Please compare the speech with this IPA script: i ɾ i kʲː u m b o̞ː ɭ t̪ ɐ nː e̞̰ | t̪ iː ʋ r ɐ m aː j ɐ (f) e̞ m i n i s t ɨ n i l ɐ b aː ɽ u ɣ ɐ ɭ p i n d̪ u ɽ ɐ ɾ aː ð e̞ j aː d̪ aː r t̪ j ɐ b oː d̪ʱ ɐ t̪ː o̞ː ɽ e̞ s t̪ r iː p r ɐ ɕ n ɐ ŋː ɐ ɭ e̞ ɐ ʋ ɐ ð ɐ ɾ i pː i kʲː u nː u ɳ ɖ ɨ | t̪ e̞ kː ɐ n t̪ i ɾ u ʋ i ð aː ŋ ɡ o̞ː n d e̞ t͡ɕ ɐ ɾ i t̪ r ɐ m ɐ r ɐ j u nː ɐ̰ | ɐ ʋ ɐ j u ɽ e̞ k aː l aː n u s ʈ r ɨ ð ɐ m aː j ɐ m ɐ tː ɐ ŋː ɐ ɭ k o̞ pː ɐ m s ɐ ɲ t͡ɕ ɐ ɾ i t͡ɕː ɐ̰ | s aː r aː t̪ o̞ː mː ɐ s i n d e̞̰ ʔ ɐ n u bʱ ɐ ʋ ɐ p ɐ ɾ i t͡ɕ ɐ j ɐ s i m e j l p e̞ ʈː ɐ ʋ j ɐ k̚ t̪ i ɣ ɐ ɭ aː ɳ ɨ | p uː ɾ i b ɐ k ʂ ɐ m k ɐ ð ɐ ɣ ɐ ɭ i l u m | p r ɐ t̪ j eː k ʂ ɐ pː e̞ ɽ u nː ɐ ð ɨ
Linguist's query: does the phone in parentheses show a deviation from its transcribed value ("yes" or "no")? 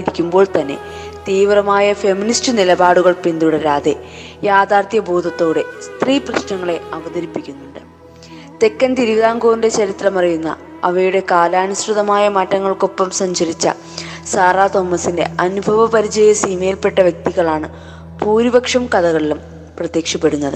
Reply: no